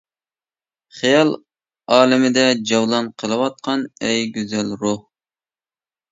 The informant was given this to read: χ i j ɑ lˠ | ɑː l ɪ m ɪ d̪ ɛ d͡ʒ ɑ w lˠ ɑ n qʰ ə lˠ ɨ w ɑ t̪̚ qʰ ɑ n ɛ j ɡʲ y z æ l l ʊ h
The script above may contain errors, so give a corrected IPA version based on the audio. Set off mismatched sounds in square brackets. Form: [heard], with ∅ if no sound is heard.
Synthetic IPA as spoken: χ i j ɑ lˠ | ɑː l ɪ m ɪ d̪ ɛ d͡ʒ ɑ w lˠ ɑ n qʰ ə lˠ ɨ w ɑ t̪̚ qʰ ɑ n ɛ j ɡʲ y z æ l [ɾ] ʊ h